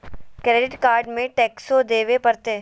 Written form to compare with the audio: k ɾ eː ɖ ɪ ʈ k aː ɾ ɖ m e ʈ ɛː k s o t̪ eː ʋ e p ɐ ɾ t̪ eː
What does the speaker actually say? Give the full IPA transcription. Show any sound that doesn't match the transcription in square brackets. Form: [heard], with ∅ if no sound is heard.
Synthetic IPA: k ɾ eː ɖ ɪ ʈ k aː ɾ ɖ m [ẽ] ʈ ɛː k s o [d̪] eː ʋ e p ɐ ɾ t̪ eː